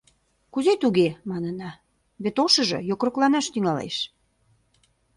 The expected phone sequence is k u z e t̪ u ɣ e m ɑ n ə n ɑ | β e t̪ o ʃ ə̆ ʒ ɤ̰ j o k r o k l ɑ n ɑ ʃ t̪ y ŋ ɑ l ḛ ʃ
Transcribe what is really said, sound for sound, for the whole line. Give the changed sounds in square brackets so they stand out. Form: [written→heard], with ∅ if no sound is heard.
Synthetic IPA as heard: k u z e t̪ u ɣ e m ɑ n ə n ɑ | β e t̪ o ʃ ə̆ ʒ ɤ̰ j o k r o k l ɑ n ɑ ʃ t̪ y ŋ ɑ l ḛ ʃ